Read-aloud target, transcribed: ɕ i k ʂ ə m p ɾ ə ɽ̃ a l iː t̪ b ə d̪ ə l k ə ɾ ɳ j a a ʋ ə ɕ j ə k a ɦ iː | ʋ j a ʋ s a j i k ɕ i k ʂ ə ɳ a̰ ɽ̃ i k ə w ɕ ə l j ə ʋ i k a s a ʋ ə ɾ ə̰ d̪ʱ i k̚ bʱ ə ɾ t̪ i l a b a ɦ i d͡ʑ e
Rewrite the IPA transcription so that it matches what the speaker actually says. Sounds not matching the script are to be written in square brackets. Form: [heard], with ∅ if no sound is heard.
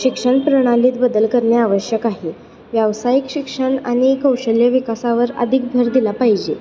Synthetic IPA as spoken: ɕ i k ʂ ə [ɳ] p ɾ ə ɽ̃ a l iː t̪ b ə d̪ ə l k ə ɾ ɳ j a a ʋ ə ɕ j ə k a ɦ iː | ʋ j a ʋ s a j i k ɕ i k ʂ ə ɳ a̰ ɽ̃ i k ə w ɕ ə l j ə ʋ i k a s a ʋ ə ɾ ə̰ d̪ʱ i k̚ bʱ ə ɾ [d̪] i l a [p] a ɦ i d͡ʑ e

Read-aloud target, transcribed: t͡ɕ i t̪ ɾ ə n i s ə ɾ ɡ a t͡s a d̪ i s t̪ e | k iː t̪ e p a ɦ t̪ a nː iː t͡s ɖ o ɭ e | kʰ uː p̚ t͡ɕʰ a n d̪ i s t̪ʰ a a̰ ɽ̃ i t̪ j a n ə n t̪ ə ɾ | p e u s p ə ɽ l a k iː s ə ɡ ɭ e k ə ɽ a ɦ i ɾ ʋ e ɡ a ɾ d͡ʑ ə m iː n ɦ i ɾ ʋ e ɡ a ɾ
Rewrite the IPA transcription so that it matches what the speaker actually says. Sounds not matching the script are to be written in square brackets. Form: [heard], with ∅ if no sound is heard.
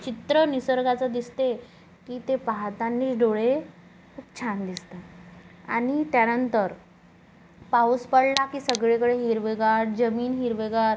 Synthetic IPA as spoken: t͡ɕ i t̪ ɾ ə n i s ə ɾ ɡ a t͡s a d̪ i s t̪ e | k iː t̪ e p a ɦ t̪ a nː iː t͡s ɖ o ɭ e | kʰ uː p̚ t͡ɕʰ a n d̪ i s [t̪] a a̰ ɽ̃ i t̪ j a n ə n t̪ ə ɾ | p [a] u s p ə ɽ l a k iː s ə ɡ ɭ e k ə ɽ [e] ɦ i ɾ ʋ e ɡ a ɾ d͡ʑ ə m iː n ɦ i ɾ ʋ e ɡ a ɾ

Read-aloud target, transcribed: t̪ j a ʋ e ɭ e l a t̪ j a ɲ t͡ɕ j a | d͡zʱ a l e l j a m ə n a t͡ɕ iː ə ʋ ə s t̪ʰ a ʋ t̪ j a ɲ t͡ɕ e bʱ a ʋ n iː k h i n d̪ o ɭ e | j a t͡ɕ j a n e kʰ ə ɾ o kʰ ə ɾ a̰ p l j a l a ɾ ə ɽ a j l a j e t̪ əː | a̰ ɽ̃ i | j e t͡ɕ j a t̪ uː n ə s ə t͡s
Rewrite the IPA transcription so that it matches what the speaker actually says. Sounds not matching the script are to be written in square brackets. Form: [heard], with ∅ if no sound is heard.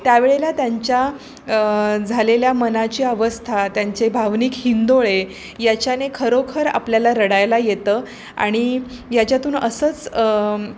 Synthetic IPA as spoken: t̪ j a ʋ e ɭ e l a t̪ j a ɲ t͡ɕ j a | d͡zʱ a l e l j a m ə n a t͡ɕ iː ə ʋ ə s t̪ʰ a [∅] t̪ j a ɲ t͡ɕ e bʱ a ʋ n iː k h i n d̪ o ɭ e | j a t͡ɕ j a n e kʰ ə ɾ o kʰ ə ɾ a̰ p l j a l a ɾ ə ɽ a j l a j e t̪ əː | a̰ ɽ̃ i | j [a] t͡ɕ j a t̪ uː n ə s ə t͡s

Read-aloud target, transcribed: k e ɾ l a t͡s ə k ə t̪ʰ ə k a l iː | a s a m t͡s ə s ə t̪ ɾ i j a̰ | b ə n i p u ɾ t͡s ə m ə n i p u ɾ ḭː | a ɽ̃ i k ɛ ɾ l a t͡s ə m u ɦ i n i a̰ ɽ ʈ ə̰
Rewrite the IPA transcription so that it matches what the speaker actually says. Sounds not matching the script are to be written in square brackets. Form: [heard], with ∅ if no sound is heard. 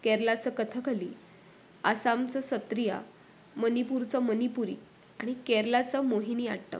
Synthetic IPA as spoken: k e ɾ l a t͡s ə k ə t̪ʰ ə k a l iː | a s a m t͡s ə s ə t̪ ɾ i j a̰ | [m] ə n i p u ɾ t͡s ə m ə n i p u ɾ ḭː | a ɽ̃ i k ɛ ɾ l a t͡s ə m [o] ɦ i n i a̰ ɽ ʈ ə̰

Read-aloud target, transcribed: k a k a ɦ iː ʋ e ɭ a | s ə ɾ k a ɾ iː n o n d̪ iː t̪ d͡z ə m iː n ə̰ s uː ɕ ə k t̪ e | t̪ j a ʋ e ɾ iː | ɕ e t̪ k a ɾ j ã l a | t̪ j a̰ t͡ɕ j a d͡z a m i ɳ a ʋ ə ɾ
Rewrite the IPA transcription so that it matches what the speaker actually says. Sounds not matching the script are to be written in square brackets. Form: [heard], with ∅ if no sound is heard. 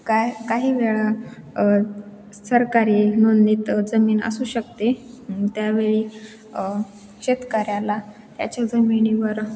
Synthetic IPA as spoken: k a k a ɦ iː ʋ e ɭ a | s ə ɾ k a ɾ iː n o n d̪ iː t̪ d͡z ə m iː n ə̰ s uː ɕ ə k t̪ e | t̪ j a ʋ e [ɭ] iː | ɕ e t̪ k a ɾ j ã l a | t̪ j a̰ t͡ɕ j a d͡z [ə] m i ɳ [i] ʋ ə ɾ

